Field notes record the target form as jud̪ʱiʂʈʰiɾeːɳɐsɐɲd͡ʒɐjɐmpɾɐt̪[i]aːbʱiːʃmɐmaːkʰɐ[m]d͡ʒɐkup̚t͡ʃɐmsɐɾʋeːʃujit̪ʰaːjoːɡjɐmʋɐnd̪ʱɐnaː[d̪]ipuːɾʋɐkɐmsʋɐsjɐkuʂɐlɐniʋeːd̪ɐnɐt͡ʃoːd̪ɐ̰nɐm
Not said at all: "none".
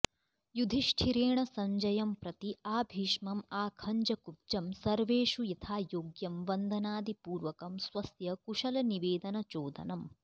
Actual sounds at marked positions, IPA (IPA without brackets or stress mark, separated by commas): i, ɲ, d̪